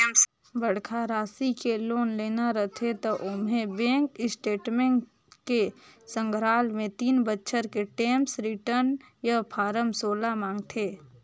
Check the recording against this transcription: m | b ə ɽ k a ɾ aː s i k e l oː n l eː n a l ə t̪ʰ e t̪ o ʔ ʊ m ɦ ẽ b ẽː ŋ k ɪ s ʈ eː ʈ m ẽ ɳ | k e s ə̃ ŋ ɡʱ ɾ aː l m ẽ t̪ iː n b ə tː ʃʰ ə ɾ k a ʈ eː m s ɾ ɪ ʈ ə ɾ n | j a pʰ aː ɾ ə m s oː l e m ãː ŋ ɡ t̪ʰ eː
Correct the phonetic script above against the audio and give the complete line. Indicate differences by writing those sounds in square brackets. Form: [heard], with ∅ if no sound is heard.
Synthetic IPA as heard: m | b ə ɽ [kʰ] a ɾ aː s i k e l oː n l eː n a [ɾ] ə t̪ʰ e t̪ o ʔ ʊ m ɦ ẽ b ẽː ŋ k ɪ s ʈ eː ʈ m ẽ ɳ | k e s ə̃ ŋ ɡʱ ɾ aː l m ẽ t̪ iː n b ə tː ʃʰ ə ɾ k [e] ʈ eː m s ɾ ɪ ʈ ə ɾ n | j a pʰ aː ɾ ə m s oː l [a] m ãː ŋ ɡ t̪ʰ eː